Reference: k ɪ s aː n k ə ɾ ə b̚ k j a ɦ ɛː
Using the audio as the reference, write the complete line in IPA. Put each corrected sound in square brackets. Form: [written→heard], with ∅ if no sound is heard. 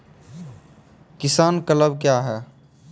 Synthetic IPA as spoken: k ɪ s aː n k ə [ɾ→l] ə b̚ k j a ɦ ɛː